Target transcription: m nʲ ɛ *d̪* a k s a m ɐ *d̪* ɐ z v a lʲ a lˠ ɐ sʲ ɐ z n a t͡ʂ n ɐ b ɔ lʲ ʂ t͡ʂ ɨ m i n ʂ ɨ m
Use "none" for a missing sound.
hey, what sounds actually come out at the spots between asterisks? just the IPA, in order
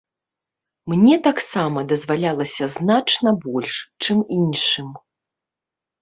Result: t̪, d̪

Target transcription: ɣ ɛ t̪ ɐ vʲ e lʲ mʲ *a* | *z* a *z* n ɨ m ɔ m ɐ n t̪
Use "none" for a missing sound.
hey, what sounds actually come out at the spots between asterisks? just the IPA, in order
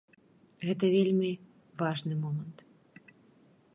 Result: i, v, ʐ

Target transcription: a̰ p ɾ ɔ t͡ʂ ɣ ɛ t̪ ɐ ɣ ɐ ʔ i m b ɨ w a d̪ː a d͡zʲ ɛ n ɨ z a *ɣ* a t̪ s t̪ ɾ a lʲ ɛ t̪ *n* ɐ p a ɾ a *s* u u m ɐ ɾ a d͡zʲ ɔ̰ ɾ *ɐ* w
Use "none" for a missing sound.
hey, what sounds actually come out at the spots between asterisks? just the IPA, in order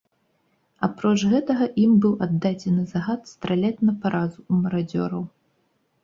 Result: ɣ, n, z, ɐ

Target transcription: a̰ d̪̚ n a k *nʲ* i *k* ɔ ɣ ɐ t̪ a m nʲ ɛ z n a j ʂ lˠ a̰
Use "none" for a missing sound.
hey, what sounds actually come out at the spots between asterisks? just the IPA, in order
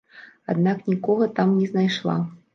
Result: nʲ, k

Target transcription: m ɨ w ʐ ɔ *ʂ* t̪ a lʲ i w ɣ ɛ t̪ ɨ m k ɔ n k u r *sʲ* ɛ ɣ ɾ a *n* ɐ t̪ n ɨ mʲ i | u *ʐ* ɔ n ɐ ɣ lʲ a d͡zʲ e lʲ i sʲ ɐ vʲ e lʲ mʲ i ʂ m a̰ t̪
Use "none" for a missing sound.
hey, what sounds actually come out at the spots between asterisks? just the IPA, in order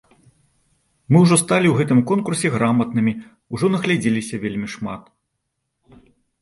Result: s, sʲ, m, ʐ

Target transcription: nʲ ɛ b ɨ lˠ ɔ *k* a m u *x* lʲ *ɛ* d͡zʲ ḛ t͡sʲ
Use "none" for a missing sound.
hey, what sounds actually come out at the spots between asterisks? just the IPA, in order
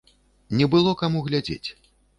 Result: k, ɣ, a

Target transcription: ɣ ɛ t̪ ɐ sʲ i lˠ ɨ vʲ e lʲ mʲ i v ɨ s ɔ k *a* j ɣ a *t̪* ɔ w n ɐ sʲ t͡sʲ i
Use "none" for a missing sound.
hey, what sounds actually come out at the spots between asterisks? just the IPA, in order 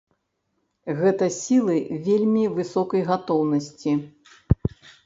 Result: ɐ, t̪

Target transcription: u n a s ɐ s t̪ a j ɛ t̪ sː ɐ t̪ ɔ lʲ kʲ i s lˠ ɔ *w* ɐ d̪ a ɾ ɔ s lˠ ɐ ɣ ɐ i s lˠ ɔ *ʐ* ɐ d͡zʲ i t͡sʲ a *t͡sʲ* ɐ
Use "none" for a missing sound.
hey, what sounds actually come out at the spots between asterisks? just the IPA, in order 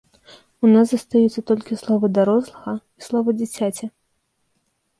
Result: v, v, t͡sʲ

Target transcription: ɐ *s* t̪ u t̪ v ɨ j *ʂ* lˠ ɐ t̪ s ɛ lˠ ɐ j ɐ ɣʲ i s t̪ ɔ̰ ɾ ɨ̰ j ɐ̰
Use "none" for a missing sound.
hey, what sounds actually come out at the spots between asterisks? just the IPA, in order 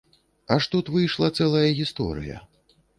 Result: ʂ, ʂ

